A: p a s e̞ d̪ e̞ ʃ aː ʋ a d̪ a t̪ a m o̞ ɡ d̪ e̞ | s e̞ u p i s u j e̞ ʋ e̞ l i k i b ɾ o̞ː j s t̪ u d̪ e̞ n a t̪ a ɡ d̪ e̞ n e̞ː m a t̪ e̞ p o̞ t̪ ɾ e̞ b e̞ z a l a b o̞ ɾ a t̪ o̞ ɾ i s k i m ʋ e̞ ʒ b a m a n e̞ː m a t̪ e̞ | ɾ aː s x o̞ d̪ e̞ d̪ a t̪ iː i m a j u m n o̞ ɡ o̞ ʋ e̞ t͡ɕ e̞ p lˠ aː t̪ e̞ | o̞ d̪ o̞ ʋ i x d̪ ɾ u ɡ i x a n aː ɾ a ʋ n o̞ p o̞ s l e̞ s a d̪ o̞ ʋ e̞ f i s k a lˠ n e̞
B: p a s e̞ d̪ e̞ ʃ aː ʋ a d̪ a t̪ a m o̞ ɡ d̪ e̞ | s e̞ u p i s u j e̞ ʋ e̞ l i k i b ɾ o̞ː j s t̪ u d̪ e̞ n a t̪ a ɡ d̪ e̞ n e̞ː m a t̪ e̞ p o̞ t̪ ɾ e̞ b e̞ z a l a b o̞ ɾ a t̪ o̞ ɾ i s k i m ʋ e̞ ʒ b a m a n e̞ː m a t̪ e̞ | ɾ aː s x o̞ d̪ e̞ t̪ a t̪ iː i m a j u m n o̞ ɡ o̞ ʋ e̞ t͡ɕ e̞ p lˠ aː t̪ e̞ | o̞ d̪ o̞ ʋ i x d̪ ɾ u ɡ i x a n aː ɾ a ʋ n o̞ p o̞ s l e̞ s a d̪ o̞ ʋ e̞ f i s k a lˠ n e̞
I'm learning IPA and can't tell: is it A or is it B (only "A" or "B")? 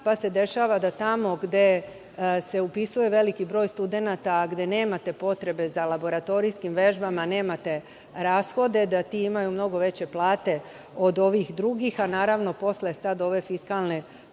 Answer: A